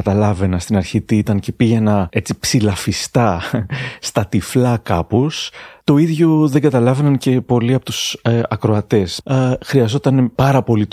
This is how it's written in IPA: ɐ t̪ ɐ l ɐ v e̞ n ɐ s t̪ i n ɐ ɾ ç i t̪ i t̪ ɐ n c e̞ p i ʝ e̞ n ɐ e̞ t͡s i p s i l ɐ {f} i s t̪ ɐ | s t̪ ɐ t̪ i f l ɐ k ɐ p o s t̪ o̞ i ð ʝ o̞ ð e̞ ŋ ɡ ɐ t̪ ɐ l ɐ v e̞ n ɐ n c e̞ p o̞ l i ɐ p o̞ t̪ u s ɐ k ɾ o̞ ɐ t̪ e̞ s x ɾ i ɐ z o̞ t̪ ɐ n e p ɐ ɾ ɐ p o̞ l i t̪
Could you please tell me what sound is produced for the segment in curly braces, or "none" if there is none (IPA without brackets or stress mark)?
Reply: f